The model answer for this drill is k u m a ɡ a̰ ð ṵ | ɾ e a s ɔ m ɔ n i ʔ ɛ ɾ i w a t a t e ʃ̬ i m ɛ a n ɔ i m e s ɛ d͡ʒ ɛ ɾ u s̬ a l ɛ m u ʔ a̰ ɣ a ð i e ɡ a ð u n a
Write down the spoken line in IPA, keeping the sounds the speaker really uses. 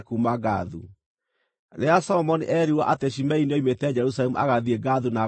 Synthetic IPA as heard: k u m a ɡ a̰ ð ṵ | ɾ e a s ɔ m ɔ n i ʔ ɛ ɾ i w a ʔ a t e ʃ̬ i m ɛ i n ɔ i m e t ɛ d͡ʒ ɛ ɾ u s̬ a l ɛ m u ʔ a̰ ɣ a ð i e ɡ a ð u n a